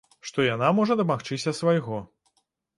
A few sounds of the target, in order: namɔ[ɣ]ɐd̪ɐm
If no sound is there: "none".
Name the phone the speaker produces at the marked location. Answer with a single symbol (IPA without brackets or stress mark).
ʐ